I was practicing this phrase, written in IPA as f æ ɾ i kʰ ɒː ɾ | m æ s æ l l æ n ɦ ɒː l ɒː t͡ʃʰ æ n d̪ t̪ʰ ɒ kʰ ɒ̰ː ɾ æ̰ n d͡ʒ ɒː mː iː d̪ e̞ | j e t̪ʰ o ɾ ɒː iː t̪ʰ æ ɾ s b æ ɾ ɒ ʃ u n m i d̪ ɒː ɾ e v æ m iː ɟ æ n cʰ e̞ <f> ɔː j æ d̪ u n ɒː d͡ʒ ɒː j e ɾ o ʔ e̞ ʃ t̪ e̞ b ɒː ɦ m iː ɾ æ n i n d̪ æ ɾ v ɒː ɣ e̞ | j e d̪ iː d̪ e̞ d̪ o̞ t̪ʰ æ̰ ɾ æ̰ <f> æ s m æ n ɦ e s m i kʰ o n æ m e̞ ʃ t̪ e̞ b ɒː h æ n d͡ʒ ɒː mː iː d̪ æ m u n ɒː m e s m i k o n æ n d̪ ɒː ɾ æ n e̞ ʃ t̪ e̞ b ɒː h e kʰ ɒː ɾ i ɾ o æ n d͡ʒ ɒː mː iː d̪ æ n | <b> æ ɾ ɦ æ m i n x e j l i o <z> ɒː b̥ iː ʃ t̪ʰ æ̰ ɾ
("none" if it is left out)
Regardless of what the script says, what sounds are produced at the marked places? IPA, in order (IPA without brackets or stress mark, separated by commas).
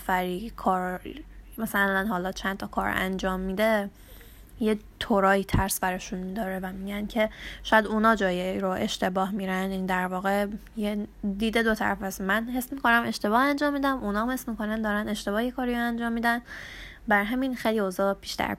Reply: ʃ, f, b, z